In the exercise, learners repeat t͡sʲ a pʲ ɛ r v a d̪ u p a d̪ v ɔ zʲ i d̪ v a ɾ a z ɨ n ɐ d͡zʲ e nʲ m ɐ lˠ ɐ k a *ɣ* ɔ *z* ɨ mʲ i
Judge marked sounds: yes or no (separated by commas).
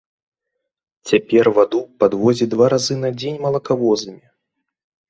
no, yes